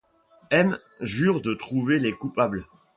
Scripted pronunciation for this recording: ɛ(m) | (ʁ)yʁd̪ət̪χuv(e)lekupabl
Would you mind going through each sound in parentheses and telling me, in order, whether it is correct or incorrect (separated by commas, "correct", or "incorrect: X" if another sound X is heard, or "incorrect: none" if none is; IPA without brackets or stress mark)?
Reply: correct, incorrect: ʒ, correct